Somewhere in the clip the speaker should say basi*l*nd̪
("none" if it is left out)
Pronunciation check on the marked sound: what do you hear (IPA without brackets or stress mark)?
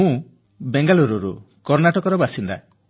none